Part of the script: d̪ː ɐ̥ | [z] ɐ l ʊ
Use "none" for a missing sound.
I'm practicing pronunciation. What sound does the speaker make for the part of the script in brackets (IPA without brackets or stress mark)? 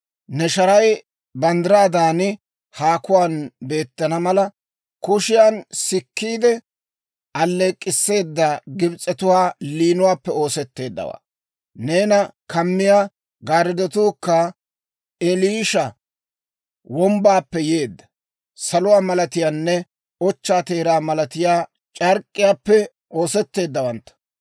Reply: s